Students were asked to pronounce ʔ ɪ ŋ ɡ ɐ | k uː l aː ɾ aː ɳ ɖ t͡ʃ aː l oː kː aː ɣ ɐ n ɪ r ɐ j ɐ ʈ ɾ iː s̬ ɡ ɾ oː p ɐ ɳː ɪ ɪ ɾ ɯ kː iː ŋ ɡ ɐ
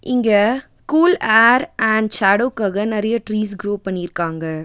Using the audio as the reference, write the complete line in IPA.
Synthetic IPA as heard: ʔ ɪ ŋ ɡ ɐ | k uː l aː ɾ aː ɳ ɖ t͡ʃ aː ɽ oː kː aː ɣ ɐ n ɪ ɾ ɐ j ɐ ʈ ɾ iː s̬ ɡ ɾ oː p ɐ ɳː ɪ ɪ ɾ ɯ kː aː ŋ ɡ ɐ